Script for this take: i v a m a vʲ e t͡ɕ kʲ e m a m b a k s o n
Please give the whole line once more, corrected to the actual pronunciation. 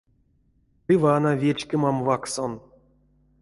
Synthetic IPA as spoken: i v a n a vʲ e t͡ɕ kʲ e m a m v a k s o n